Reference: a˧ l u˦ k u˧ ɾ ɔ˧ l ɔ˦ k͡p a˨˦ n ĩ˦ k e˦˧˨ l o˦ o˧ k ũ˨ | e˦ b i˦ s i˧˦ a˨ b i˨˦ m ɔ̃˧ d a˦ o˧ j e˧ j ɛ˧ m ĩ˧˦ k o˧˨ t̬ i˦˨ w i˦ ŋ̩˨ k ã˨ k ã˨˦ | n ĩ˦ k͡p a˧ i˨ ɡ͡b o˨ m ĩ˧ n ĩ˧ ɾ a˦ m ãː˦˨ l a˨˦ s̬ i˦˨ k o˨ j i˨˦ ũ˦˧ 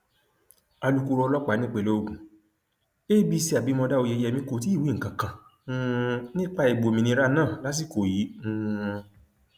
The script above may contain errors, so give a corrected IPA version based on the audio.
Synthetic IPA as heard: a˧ l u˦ k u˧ ɾ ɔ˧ l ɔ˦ k͡p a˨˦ n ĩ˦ k͡p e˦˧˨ l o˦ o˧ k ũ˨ | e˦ b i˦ s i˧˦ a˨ b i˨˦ m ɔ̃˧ d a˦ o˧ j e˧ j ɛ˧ m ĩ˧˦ k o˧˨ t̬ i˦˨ w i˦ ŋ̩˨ k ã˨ k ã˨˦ | n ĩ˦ k͡p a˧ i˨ ɡ͡b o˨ m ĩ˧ n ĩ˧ ɾ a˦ n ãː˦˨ l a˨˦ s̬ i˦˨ k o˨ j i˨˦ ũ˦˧

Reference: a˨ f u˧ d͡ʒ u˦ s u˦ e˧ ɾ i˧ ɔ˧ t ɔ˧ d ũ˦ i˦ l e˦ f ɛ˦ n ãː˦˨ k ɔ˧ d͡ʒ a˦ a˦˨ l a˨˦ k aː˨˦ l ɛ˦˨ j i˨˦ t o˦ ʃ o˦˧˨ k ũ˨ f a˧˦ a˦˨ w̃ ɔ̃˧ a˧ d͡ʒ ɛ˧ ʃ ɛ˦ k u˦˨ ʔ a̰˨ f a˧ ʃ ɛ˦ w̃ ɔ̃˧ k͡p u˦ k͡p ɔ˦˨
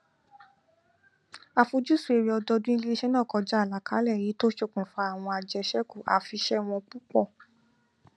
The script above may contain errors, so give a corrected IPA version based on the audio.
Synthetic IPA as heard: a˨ f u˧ d͡ʒ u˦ s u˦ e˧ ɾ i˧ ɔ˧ d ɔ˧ d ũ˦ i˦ l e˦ ʃ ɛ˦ n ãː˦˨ k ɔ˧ d͡ʒ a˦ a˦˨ l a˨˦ k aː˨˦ l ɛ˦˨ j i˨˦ t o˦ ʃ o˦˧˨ k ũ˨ f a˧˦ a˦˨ w̃ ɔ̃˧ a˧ d͡ʒ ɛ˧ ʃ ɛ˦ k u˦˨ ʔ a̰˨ f i˧ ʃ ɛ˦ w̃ ɔ̃˧ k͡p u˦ k͡p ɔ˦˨

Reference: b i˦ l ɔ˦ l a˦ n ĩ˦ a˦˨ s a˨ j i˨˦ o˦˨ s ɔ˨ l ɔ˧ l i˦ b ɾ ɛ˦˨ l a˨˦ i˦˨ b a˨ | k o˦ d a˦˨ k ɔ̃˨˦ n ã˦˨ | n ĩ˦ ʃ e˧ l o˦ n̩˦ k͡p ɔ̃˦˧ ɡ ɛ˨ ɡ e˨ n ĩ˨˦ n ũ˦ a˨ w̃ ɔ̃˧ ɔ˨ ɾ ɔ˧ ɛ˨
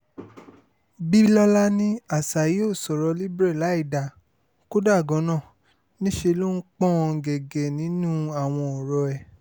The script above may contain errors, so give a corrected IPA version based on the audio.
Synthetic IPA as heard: b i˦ l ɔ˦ l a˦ n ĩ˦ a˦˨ s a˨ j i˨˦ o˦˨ s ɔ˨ ɾ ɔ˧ l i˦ b ɾ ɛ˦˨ l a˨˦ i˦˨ d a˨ | k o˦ d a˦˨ ɡ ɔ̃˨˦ n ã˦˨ | n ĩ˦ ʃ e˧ l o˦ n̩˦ k͡p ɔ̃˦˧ ɡ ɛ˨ ɡ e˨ n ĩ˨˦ n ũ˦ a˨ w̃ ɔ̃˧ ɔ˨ ɾ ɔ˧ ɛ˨

